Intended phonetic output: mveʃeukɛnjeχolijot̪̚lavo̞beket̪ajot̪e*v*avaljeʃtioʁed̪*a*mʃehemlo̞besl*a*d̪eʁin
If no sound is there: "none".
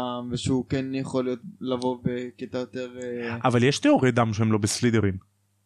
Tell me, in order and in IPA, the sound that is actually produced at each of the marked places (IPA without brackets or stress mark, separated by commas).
ʁ, a, i